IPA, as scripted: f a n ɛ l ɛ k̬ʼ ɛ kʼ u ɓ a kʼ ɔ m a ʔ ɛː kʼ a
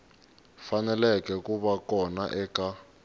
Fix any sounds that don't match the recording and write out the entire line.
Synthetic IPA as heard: f a n ɛ l ɛ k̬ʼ ɛ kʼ u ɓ a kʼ ɔ n a ʔ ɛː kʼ a

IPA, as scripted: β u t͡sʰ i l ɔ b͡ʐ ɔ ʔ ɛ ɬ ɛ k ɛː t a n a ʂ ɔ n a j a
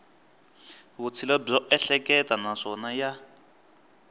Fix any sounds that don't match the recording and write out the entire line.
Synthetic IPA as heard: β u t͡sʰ i l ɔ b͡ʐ ɔ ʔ ɛ ɬ ɛ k ɛ t a n a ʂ ɔ n a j a

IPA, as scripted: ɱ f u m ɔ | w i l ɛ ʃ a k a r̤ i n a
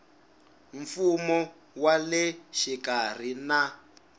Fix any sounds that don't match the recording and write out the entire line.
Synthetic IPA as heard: ɱ f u m ɔ | w a l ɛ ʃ i k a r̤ i n a

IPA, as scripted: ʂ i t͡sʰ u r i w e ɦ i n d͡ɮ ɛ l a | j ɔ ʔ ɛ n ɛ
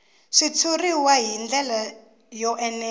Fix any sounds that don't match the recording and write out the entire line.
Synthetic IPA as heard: ʂ i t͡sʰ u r i w a ɦ i n d͡ɮ ɛ l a | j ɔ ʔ ɛ n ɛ

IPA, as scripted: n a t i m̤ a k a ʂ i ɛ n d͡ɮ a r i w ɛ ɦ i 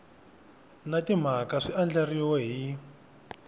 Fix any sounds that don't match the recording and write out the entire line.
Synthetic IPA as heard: n a t i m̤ a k a ʂ i a n d͡ɮ a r i w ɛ ɦ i

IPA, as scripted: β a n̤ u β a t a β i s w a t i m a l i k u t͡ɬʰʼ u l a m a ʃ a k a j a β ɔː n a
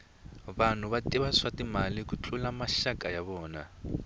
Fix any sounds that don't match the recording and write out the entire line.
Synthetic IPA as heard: β a n̤ u β a t i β a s w a t i m a l i k u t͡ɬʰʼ u l a m a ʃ a k a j a β ɔː n a

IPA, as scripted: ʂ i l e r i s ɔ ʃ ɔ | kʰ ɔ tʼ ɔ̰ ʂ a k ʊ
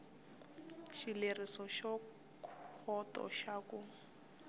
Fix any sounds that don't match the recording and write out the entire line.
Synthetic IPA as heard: ʃ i l e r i s ɔ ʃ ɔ | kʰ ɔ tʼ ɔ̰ ʃ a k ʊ

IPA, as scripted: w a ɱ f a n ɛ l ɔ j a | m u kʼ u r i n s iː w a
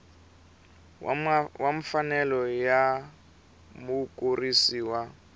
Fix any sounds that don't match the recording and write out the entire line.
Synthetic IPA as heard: w a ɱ f a n ɛ l ɔ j a | m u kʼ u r i s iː w a

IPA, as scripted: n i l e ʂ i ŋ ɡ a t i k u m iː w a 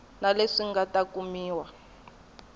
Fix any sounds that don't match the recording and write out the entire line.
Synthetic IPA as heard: n a l e ʂ i ŋ ɡ a t a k u m iː w a

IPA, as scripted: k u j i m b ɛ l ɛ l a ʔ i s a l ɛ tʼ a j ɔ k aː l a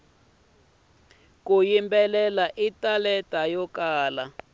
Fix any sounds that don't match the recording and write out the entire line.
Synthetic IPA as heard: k u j i m b ɛ l ɛ l a ʔ i t a l ɛ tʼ a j ɔ k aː l a

